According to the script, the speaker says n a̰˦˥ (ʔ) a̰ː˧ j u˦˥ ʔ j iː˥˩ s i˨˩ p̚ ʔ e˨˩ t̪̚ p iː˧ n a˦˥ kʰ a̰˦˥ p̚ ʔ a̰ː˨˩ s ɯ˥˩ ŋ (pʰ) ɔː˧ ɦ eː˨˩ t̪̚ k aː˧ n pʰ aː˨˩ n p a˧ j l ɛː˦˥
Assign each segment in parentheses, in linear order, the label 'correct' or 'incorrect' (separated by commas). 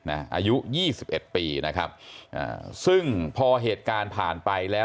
correct, correct